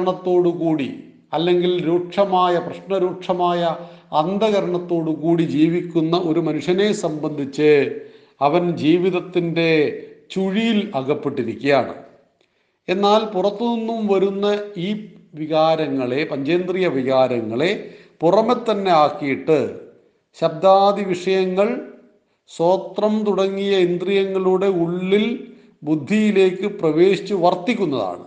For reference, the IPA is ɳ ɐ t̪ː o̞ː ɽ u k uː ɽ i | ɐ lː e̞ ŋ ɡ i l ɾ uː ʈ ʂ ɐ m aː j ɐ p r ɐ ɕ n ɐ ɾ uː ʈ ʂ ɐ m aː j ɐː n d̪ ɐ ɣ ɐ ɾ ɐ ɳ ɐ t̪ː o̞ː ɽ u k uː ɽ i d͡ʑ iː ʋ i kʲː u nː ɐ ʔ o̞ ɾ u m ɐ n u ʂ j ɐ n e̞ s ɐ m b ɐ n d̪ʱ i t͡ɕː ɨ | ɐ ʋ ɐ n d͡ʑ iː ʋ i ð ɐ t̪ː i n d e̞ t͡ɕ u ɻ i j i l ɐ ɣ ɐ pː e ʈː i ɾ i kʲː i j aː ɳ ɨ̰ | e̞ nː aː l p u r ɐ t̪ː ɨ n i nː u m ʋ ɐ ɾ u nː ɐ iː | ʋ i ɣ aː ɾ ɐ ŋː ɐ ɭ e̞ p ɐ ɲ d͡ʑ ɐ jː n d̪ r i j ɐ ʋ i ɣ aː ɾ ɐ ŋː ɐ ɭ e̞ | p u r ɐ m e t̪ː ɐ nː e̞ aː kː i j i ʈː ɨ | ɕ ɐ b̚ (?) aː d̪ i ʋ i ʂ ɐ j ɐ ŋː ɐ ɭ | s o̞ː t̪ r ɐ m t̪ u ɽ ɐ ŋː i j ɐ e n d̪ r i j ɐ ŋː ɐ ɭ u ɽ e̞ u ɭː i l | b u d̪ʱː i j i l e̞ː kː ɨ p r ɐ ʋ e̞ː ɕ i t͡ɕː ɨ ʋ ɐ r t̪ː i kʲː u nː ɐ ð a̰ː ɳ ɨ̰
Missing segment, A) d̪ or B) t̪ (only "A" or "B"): A